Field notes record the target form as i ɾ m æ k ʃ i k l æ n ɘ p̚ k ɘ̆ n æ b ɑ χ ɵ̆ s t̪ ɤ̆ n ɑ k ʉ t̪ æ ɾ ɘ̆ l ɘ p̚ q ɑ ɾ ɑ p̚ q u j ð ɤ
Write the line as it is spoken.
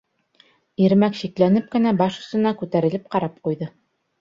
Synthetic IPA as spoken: i ɾ m æ k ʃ i k l æ n ɘ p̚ k ɘ̆ n æ b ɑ ʃ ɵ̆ s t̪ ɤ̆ n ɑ k ʉ t̪ æ ɾ ɘ̆ l ɘ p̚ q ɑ ɾ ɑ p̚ q u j ð ɤ